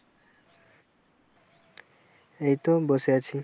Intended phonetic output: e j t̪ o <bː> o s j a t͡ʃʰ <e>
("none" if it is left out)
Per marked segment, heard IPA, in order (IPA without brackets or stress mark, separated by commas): b, i